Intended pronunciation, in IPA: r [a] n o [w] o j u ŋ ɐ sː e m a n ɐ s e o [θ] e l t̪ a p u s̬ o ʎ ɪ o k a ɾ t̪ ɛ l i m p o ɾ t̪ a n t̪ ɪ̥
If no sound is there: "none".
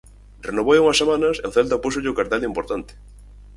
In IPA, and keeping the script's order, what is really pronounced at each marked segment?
e, β, θ

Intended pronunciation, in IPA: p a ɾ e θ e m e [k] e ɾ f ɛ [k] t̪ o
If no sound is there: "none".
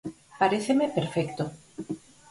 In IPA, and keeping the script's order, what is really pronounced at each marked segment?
p, k

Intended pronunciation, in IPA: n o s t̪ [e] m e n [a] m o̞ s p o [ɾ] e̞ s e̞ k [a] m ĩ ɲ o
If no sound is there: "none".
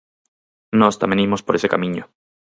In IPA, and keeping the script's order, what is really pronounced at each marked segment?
a, i, ɾ, a

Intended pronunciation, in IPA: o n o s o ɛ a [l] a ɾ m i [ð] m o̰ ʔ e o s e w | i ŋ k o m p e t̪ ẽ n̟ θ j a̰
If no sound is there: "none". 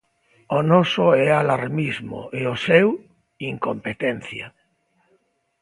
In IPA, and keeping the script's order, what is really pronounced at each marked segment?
l, z

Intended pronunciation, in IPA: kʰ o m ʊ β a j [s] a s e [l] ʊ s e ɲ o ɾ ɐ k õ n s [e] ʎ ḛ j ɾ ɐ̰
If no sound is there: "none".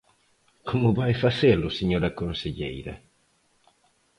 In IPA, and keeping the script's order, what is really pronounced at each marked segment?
f, l, e

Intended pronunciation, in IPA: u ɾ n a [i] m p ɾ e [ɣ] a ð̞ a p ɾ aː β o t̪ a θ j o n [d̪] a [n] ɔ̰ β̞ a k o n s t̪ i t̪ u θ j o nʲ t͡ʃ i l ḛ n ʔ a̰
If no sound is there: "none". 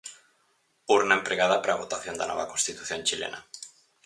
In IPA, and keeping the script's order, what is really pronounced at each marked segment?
e, ɣ, d̪, n

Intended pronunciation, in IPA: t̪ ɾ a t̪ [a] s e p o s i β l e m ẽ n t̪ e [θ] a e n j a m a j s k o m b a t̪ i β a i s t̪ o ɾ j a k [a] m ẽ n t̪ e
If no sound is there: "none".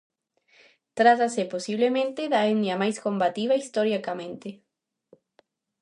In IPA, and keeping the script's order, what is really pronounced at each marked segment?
a, ð, a

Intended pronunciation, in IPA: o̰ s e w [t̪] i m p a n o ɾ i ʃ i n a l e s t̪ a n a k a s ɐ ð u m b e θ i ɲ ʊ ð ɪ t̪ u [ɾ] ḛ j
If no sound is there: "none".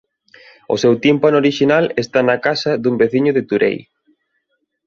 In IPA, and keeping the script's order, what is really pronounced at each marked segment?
t̪, ɾ

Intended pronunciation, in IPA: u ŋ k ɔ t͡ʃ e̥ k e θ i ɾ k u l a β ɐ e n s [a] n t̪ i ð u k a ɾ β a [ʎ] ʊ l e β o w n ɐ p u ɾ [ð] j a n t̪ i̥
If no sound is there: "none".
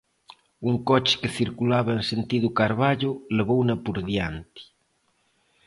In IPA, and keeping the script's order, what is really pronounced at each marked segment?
e, ʎ, ð

